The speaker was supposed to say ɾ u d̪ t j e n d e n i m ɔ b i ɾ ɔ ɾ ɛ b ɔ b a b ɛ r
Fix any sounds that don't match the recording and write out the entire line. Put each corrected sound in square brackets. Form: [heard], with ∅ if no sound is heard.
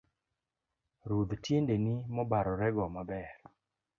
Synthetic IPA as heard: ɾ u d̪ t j e n d e n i m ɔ b [a] ɾ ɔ ɾ ɛ [ɡ] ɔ [m] a b ɛ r

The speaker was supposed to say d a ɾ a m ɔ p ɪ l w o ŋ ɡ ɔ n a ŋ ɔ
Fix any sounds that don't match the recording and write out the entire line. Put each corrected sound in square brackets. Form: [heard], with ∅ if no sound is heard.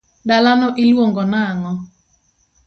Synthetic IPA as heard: d a [l] a [n] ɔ [ʔ] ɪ l w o ŋ ɡ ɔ n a ŋ ɔ

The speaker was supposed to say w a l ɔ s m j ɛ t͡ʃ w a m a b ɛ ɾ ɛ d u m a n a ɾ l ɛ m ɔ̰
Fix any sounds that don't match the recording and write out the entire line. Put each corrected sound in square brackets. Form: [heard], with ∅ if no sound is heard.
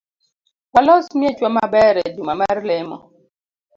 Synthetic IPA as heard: w a l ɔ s m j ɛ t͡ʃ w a m a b ɛ ɾ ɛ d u m a [m] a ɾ l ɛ m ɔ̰

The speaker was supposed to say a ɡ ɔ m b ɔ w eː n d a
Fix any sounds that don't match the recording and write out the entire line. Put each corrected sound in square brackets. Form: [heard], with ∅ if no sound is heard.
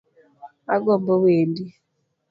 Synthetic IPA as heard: a ɡ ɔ m b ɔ w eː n d [i]

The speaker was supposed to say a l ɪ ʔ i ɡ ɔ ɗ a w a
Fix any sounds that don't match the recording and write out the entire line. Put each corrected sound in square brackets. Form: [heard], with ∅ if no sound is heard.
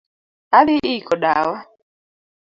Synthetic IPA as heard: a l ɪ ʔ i [k] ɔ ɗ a w a

